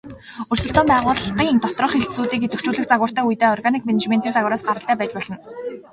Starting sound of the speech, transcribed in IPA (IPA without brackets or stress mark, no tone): ɵ